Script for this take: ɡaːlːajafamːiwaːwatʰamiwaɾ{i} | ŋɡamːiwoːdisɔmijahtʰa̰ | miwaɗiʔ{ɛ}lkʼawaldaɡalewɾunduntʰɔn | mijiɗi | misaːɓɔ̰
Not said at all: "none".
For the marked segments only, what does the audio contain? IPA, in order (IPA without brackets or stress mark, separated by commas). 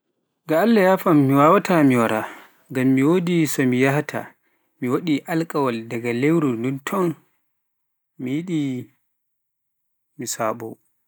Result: a, a